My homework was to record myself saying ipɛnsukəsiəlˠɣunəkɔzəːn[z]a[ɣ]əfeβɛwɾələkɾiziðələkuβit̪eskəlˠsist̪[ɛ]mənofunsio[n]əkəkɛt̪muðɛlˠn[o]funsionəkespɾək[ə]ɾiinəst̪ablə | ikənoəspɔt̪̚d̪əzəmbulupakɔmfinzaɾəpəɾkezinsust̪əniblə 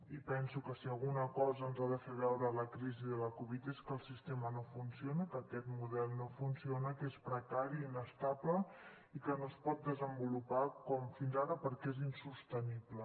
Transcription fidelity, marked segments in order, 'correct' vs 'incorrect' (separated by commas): correct, incorrect, incorrect, correct, correct, incorrect